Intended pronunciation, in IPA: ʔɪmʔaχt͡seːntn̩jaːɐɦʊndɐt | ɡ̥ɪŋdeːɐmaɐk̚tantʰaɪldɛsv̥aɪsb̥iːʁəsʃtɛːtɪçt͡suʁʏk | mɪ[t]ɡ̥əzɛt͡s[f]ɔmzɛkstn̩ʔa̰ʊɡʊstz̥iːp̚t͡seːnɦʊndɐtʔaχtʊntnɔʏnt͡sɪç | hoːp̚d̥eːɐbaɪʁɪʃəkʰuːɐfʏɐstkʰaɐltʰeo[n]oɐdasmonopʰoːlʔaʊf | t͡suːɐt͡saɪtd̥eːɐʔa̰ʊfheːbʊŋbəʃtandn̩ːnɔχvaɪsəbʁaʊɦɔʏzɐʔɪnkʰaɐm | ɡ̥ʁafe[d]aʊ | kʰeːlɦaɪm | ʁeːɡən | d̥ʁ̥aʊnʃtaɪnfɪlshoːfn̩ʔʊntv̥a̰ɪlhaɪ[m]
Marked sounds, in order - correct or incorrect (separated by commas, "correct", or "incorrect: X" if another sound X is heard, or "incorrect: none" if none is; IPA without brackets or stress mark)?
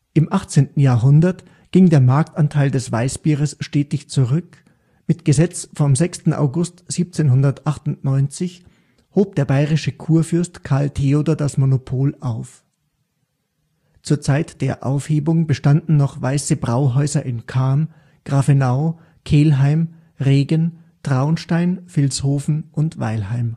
correct, correct, incorrect: d, incorrect: n, correct